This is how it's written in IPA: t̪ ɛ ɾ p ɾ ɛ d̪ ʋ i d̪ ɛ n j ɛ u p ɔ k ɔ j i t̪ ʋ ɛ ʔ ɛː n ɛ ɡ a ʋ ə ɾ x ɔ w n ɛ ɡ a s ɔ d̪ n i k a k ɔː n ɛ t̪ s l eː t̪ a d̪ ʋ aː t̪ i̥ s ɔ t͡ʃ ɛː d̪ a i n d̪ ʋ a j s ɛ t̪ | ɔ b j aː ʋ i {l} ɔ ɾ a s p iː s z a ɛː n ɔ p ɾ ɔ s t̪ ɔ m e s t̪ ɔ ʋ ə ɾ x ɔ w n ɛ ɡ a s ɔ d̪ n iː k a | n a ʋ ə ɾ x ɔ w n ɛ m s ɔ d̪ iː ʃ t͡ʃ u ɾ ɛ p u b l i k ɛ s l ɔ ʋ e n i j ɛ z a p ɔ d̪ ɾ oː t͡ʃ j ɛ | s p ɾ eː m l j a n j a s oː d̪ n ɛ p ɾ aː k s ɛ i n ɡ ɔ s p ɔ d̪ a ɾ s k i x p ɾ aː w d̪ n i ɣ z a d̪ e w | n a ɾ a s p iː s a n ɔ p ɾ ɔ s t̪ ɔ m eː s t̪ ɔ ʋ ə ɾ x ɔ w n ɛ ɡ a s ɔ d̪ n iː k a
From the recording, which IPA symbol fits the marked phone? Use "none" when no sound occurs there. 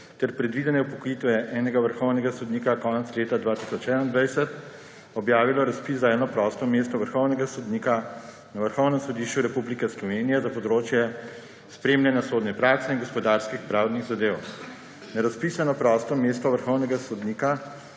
l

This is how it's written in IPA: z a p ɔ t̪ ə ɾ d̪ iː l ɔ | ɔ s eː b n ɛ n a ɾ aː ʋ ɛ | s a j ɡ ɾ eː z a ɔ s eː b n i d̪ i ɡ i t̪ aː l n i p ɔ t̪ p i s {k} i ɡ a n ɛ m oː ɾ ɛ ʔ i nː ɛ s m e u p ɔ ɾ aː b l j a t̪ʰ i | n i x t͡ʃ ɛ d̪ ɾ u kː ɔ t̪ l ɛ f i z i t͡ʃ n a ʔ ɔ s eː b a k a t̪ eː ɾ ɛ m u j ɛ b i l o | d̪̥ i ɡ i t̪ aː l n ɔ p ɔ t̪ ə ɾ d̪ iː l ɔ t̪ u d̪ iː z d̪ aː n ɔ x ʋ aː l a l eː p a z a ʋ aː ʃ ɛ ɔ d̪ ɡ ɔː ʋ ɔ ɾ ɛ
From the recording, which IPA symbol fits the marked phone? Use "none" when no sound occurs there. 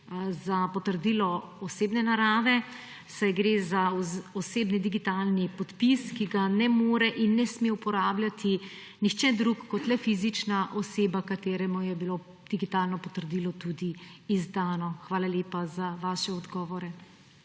k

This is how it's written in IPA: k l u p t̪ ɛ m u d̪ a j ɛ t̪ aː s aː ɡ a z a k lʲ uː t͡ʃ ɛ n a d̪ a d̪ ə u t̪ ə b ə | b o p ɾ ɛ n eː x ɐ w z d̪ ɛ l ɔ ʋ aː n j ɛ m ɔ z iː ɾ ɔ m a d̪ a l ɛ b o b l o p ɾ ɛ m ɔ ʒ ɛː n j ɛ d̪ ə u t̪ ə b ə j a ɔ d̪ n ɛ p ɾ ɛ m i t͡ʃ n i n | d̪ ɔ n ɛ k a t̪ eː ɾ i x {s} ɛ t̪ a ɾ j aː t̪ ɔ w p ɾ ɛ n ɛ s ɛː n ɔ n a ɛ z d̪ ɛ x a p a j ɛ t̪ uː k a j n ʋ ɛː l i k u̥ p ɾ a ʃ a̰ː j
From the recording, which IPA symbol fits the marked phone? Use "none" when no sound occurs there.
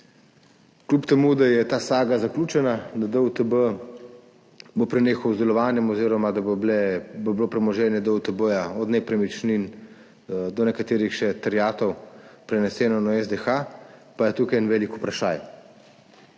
ʃ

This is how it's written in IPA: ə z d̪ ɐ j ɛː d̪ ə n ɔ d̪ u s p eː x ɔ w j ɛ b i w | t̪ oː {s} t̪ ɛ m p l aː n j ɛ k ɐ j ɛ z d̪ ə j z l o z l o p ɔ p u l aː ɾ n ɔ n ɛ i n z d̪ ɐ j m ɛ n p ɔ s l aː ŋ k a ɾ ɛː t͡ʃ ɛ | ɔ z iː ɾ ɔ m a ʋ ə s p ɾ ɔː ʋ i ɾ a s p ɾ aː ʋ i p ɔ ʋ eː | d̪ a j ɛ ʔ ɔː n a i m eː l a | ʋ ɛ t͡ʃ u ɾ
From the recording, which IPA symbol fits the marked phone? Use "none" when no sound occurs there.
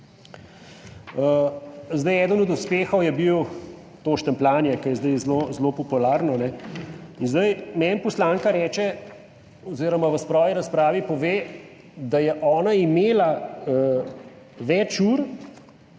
ʃ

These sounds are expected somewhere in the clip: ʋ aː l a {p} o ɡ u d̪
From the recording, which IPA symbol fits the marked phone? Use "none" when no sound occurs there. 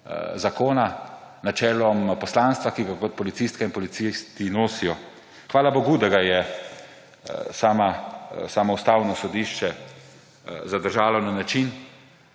b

